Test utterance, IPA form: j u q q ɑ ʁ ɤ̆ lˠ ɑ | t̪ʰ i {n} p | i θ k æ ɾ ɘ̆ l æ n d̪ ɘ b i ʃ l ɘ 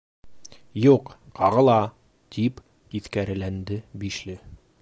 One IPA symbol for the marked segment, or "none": none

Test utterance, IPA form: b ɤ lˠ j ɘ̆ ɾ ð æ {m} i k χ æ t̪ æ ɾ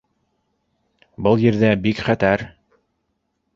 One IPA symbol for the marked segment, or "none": b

